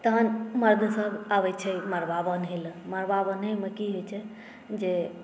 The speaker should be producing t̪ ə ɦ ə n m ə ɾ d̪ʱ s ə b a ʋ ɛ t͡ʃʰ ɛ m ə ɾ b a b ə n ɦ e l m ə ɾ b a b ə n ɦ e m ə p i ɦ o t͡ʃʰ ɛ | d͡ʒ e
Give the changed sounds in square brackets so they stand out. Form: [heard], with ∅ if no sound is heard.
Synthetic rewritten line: t̪ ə ɦ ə n m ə ɾ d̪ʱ s ə b a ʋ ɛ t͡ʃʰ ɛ m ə ɾ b a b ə n ɦ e l m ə ɾ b a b ə n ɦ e m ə [k] i ɦ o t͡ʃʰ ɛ | d͡ʒ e